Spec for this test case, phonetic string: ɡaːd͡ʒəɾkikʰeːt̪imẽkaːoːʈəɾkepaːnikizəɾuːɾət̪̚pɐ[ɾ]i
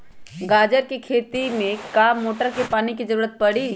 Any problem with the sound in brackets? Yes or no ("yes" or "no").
yes